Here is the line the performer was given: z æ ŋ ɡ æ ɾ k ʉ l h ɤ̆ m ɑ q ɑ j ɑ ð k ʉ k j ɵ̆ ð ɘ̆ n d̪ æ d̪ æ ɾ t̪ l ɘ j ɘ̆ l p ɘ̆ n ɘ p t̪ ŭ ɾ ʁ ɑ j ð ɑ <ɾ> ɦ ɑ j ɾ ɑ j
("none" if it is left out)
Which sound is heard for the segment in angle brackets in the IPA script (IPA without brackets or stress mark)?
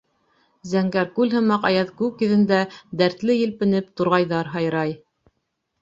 ɾ